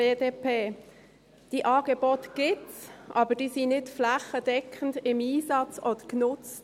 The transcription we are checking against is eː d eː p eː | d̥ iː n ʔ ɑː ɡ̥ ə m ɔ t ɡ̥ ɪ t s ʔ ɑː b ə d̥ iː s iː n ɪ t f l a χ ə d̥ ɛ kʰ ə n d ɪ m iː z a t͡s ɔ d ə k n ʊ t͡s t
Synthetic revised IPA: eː d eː p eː | d̥ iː ʔ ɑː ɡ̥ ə b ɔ t ɡ̥ ɪ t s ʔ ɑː b ə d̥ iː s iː n ɪ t f l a χ ə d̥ ɛ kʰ ə n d ɪ m iː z ɑ t͡s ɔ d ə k n ʊ t͡s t